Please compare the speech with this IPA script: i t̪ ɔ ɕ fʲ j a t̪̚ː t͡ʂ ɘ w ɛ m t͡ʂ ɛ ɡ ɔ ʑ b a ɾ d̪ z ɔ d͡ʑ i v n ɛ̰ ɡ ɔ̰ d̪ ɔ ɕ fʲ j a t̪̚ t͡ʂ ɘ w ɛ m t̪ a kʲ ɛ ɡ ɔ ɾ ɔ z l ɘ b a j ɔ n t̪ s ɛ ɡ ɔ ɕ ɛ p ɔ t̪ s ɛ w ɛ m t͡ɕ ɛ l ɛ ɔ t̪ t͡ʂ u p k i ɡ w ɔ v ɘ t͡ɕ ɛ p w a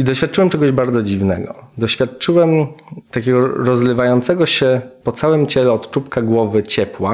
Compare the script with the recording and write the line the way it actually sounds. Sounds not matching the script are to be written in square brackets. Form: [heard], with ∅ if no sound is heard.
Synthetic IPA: i [d̪] ɔ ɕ fʲ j a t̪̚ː t͡ʂ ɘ w ɛ m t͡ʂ ɛ ɡ ɔ ʑ b a ɾ d̪ z ɔ d͡ʑ i v n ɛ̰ ɡ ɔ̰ d̪ ɔ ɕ fʲ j a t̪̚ t͡ʂ ɘ w ɛ m t̪ a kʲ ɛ ɡ ɔ ɾ ɔ z l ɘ [v] a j ɔ n t̪ s ɛ ɡ ɔ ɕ ɛ p ɔ t̪ s [a] w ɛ m t͡ɕ ɛ l ɛ ɔ t̪ t͡ʂ u p k [a] ɡ w ɔ v ɘ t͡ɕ ɛ p w a